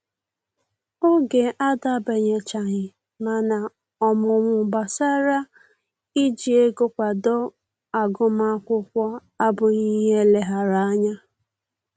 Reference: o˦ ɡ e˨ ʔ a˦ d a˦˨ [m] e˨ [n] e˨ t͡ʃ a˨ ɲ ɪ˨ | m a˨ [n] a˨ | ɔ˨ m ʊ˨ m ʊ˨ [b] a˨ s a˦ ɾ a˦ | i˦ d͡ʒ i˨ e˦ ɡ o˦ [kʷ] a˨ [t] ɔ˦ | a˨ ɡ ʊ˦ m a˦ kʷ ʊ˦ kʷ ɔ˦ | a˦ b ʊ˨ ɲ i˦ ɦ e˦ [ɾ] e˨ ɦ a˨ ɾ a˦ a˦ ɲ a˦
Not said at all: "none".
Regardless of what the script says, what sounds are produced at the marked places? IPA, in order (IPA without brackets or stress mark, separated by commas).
b, ɲ, n, b, kʷ, d, l